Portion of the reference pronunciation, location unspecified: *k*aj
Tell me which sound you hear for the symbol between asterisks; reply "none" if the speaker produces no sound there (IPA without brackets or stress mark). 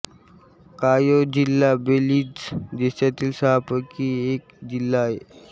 k